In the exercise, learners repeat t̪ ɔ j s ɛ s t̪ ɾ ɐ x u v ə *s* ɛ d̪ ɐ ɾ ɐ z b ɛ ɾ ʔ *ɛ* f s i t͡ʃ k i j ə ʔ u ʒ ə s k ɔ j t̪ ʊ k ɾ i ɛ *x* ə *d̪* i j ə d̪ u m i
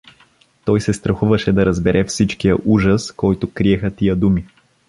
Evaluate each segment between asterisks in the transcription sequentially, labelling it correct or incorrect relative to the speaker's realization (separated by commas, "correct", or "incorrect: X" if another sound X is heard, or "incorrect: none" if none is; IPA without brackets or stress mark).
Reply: incorrect: ʃ, correct, correct, incorrect: t̪